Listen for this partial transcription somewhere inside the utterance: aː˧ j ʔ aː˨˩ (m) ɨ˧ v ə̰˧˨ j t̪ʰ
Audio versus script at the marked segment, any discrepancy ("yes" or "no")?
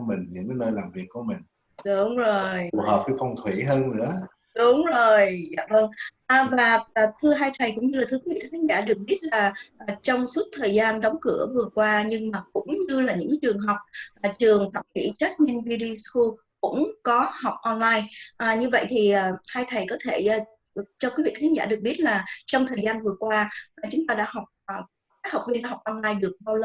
yes